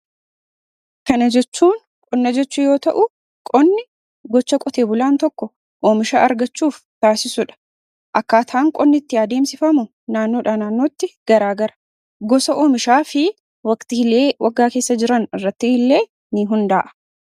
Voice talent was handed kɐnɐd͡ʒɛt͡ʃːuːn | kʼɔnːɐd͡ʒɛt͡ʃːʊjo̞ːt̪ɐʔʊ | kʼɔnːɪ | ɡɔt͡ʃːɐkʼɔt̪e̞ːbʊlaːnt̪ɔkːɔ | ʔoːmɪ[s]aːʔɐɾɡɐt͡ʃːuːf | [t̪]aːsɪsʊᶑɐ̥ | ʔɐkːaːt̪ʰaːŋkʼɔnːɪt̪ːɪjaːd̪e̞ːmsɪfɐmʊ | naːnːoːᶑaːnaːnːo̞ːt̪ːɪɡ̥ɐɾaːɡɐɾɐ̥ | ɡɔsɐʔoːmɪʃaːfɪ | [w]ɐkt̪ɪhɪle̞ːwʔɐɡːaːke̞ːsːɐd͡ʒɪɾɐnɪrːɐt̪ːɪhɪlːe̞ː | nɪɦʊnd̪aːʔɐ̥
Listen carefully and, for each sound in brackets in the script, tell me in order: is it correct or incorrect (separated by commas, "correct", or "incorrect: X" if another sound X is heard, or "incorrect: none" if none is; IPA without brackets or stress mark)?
incorrect: ʃ, correct, correct